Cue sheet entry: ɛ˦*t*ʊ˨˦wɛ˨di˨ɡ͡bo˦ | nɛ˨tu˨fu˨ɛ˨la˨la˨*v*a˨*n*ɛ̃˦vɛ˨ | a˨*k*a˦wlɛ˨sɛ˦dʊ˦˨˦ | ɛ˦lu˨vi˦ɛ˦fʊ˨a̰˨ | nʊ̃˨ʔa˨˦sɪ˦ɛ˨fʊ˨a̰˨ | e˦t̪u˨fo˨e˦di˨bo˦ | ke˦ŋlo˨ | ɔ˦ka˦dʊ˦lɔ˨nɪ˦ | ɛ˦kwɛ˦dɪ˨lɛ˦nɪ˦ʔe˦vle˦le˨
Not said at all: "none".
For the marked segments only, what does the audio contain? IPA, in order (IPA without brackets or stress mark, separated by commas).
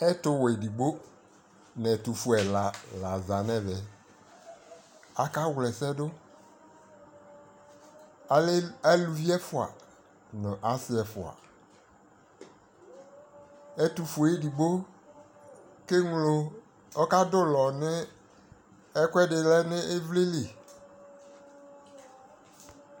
t, z, n, k